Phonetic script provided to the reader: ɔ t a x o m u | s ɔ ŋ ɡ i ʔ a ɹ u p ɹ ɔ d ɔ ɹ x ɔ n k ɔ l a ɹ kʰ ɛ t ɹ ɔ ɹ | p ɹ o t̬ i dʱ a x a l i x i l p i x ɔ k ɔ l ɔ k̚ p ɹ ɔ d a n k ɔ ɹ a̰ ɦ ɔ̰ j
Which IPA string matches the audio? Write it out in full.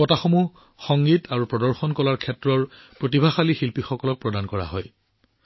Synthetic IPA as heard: ɔ t a x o m u | x ɔ ŋ ɡ i t a ɹ u p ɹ ɔ d ɔ ɹ x ɔ n k ɔ l a ɹ kʰ ɛ t ɹ ɔ ɹ | p ɹ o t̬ i bʱ a x a l i x i l p i x ɔ k ɔ l ɔ k̚ p ɹ ɔ d a n k ɔ ɹ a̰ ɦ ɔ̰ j